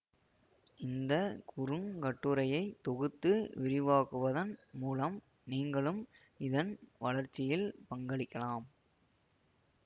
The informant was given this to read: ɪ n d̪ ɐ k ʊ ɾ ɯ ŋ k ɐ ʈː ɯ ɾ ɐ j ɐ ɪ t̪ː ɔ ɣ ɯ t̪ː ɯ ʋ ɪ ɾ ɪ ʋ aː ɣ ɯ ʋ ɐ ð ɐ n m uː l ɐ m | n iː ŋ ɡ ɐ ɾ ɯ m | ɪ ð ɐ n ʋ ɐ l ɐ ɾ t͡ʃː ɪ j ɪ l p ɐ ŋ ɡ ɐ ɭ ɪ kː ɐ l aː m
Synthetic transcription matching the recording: ɪ n d̪ ɐ k ʊ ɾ ɯ ŋ k ɐ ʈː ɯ ɾ ɐ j ɐ ɪ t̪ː ɔ ɣ ɯ t̪ː ɯ ʋ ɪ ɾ ɪ ʋ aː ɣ ɯ ʋ ɐ ð ɐ n m uː l ɐ m | n iː ŋ ɡ ɐ ɭ ɯ m | ɪ ð ɐ n ʋ ɐ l ɐ ɾ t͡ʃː ɪ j ɪ l p ɐ ŋ ɡ ɐ ɭ ɪ kː ɐ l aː m